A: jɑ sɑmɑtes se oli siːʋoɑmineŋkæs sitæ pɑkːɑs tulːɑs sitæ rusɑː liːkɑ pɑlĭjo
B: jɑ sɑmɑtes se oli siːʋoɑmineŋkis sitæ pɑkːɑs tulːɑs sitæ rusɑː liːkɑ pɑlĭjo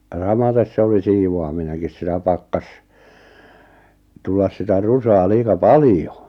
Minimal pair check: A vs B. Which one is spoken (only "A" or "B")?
B